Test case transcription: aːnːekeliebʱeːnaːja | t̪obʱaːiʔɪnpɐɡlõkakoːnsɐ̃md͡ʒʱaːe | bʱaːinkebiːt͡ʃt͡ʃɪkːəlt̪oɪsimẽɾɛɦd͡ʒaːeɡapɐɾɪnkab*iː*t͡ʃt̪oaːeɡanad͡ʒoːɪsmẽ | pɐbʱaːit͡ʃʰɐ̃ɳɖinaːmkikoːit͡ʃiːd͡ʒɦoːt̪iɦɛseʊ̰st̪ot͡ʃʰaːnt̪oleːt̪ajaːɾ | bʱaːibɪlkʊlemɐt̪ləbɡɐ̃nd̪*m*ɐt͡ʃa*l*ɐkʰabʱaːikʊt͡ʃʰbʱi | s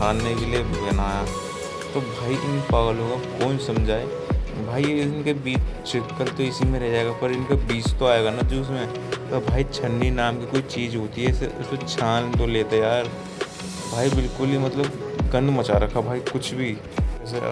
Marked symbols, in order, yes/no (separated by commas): yes, yes, no